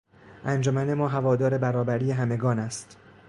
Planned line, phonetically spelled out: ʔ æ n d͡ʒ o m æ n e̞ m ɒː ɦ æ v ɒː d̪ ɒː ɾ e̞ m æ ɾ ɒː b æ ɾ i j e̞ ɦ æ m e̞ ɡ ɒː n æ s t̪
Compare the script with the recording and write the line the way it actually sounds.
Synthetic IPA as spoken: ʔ æ n d͡ʒ o m æ n e̞ m ɒː ɦ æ v ɒː d̪ ɒː ɾ e̞ b æ ɾ ɒː b æ ɾ i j e̞ ɦ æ m e̞ ɡ ɒː n æ s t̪